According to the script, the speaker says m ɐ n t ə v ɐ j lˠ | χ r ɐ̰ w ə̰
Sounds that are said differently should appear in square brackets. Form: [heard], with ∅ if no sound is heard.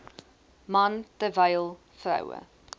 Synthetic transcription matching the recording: m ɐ n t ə v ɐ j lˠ | [f] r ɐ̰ w ə̰